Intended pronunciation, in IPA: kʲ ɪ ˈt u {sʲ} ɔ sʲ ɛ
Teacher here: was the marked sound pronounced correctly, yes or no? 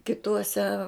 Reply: no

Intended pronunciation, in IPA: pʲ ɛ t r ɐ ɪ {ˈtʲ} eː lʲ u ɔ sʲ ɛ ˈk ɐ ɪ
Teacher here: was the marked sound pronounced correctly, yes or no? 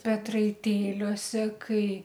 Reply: yes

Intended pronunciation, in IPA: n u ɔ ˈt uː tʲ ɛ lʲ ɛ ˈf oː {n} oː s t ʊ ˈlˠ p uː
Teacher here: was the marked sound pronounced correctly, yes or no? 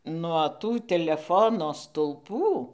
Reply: yes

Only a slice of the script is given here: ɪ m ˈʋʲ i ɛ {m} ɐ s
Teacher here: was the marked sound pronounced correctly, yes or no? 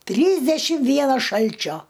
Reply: no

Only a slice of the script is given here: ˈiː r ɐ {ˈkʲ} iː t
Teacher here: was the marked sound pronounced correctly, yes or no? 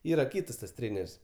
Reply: yes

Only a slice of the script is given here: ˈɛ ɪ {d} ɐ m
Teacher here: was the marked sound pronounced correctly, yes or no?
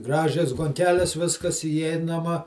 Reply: no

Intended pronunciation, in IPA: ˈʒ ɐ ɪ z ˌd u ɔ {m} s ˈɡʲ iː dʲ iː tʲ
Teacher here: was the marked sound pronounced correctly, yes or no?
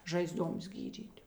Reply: yes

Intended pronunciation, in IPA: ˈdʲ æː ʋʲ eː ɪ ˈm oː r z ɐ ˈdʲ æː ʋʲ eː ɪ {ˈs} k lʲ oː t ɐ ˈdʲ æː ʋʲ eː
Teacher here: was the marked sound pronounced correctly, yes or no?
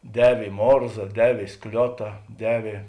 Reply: yes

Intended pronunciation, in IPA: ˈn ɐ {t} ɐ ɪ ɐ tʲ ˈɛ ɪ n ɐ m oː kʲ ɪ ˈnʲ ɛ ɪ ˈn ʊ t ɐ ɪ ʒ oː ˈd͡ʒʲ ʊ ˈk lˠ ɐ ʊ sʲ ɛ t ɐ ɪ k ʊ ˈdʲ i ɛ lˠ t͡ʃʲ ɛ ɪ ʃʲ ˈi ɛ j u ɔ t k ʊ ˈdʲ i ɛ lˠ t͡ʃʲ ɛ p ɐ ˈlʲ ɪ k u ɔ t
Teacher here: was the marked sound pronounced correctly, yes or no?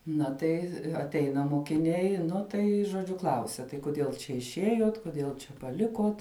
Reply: yes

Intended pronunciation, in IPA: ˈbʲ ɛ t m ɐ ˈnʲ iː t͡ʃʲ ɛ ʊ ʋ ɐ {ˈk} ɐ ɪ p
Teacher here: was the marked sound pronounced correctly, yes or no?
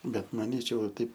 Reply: no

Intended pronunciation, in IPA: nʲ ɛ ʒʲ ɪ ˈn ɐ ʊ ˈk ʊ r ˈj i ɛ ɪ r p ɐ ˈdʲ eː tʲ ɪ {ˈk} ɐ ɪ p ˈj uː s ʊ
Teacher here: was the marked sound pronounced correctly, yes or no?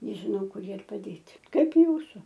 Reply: yes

